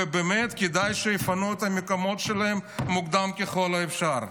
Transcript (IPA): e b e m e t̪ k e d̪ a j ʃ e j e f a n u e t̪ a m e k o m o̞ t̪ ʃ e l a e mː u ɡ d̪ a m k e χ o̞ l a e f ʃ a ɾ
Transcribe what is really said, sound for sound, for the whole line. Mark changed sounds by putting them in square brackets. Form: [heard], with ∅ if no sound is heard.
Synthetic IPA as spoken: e b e m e t̪ k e d̪ a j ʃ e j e f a n u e t̪ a m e k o m o̞ t̪ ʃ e l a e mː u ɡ d̪ a m k e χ o̞ l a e f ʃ a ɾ